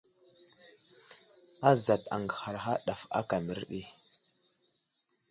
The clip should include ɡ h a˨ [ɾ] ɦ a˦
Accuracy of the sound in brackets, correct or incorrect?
correct